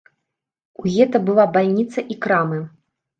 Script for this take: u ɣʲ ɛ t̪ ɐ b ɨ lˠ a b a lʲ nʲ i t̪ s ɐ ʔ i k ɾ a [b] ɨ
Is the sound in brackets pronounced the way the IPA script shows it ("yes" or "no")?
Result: no